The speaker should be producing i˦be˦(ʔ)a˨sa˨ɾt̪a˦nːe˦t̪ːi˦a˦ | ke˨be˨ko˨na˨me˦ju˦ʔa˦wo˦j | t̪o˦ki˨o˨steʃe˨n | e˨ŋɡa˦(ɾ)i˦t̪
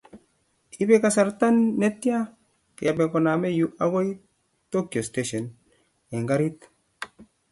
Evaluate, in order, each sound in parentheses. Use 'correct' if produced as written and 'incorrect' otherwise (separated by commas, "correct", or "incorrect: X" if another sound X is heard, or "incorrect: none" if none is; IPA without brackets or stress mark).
incorrect: k, correct